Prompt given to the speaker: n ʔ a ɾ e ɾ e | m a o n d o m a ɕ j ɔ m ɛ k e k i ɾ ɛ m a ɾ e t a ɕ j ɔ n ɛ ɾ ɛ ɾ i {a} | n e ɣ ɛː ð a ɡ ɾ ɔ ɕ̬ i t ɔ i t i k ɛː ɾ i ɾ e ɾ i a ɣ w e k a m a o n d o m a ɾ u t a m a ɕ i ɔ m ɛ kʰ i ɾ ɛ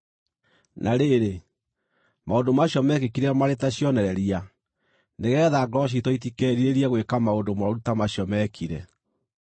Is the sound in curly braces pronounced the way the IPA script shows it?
yes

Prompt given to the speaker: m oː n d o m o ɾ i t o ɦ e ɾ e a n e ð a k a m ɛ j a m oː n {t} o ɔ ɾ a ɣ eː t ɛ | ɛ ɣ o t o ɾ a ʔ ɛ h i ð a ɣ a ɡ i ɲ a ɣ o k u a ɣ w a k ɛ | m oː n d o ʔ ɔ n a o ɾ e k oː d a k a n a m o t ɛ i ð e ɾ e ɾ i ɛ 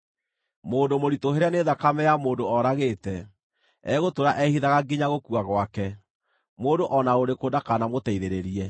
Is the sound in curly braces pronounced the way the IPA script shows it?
no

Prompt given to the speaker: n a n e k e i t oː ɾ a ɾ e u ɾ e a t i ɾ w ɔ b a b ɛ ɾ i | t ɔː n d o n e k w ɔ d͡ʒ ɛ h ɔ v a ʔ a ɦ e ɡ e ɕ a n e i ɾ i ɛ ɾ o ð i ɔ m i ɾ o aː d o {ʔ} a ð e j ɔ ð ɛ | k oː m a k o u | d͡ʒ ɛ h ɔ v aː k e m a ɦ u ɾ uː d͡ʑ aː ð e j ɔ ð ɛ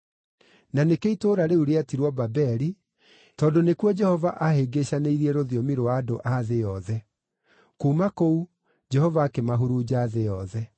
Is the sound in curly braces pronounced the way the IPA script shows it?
yes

